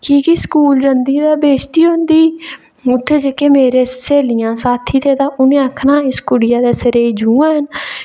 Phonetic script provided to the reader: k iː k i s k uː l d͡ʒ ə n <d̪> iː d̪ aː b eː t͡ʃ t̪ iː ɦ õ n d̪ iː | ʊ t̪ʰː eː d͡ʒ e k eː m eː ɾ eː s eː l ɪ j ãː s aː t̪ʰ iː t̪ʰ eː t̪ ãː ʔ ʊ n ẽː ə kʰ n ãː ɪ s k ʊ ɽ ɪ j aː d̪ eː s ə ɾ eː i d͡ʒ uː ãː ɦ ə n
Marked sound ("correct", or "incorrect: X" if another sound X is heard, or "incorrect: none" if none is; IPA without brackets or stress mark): correct